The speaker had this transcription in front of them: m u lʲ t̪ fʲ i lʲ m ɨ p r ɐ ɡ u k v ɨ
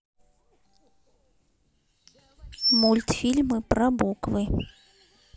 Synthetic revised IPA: m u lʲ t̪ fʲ i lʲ m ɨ p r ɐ b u k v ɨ